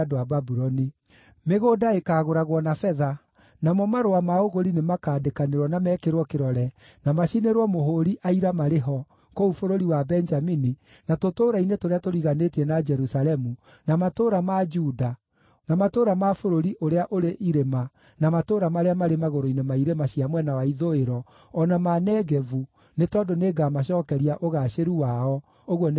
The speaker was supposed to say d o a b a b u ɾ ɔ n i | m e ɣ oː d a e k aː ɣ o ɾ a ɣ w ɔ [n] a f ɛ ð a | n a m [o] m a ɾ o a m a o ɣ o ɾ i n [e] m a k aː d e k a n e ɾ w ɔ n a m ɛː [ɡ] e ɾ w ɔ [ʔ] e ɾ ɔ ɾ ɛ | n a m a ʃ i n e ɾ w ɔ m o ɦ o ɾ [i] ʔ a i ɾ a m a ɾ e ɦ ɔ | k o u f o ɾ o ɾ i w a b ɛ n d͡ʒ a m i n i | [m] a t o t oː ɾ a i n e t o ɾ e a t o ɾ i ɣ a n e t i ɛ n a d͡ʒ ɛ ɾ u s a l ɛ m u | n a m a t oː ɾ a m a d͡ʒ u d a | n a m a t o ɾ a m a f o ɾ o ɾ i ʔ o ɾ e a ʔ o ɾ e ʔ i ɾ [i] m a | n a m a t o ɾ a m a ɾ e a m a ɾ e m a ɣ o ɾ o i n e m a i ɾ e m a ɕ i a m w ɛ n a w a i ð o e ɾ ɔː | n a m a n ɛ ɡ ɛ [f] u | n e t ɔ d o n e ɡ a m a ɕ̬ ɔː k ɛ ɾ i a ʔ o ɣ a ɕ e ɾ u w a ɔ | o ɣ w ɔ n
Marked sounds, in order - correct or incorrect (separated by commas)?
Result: correct, incorrect, correct, incorrect, incorrect, correct, incorrect, incorrect, incorrect